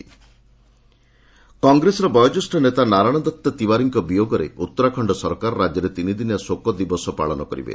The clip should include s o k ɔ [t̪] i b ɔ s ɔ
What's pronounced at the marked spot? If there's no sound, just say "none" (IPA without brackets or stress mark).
d̪